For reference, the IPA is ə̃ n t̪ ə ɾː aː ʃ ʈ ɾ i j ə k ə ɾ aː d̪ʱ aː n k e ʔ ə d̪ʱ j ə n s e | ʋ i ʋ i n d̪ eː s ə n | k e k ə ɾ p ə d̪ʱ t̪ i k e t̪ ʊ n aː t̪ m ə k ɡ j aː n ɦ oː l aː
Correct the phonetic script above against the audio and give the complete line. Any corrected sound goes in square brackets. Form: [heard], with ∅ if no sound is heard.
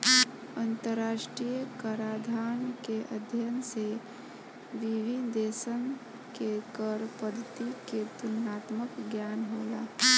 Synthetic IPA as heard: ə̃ n t̪ ə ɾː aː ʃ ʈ ɾ i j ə k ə ɾ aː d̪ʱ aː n k e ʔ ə d̪ʱ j ə n s e | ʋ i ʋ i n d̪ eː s ə n | k e k ə ɾ p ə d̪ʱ t̪ i k e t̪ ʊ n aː t̪ m ə k ɡ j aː n ɦ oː l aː

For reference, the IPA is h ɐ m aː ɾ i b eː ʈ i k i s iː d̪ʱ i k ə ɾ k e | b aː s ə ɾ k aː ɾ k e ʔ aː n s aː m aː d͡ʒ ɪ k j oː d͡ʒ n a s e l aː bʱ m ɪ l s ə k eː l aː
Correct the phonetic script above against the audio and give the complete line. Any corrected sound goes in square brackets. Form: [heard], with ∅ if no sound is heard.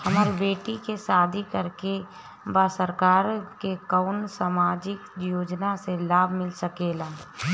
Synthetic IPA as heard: h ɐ m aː ɾ i b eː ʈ i k [e] s [aː] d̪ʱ i k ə ɾ k e | b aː s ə ɾ k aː ɾ k e [k] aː n s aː m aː d͡ʒ ɪ k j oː d͡ʒ n a s e l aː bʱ m ɪ l s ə k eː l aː

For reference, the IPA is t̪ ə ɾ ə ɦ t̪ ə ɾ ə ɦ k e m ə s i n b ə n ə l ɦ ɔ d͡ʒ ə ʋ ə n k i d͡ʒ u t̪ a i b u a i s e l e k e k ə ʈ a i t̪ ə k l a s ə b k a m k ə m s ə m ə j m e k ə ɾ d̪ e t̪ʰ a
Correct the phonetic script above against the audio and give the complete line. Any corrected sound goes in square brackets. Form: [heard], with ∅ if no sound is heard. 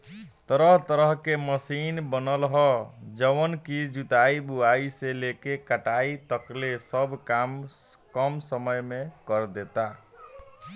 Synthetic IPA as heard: t̪ ə ɾ ə ɦ t̪ ə ɾ ə ɦ k e m ə s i n b ə n ə l ɦ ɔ d͡ʒ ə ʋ ə n k i d͡ʒ u t̪ a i b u a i s e l e k e k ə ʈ a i t̪ ə k l [e] s ə b k a m k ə m s ə m ə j m e k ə ɾ d̪ e [t̪] a

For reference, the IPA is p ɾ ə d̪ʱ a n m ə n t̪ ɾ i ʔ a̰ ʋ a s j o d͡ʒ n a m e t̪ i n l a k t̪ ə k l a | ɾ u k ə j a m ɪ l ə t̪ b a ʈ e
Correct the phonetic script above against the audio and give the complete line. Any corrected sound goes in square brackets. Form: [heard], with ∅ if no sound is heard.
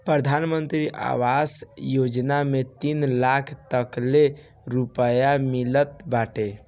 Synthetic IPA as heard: p ɾ ə d̪ʱ a n m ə n t̪ ɾ i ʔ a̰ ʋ a s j o d͡ʒ n a m e t̪ i n l a [kʰ] t̪ ə k l [e] | ɾ u [p] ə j a m [i] l ə t̪ b a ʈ e

